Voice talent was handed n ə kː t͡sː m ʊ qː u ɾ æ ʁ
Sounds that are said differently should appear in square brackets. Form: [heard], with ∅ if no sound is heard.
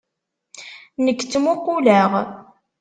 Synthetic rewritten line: n ə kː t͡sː m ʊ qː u [l] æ ʁ